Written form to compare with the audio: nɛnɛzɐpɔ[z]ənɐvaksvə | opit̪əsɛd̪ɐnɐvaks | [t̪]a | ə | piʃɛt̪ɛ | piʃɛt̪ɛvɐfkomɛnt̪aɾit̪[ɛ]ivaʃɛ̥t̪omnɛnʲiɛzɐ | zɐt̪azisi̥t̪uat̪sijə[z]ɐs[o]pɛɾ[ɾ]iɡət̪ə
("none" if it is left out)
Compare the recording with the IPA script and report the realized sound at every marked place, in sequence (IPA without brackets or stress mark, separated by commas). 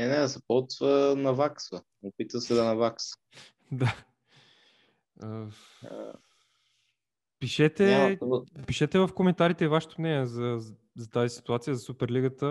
v, d̪, ɛ, z, u, l